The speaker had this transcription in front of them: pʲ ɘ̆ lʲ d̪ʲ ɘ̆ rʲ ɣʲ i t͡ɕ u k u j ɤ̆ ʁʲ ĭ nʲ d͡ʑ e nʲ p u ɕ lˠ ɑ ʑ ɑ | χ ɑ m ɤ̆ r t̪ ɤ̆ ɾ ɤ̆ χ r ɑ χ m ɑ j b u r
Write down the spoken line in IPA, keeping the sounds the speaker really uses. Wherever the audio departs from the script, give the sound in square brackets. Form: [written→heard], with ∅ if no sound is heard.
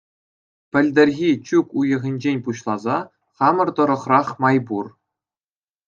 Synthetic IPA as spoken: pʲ ɘ̆ lʲ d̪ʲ ɘ̆ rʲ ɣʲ i t͡ɕ u k u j ɤ̆ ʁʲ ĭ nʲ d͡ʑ e nʲ p u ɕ lˠ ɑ [ʑ→z] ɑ | χ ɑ m ɤ̆ r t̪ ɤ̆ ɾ ɤ̆ χ r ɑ χ m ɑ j b u r